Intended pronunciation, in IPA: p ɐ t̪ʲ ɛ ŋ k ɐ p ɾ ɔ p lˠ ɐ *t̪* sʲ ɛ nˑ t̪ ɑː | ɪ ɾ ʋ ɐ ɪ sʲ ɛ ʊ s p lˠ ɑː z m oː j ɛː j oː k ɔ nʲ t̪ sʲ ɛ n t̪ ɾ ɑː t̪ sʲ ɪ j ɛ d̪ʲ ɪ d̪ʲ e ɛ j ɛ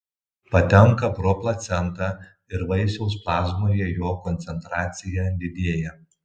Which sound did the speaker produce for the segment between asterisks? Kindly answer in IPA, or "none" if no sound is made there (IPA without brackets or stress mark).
t̪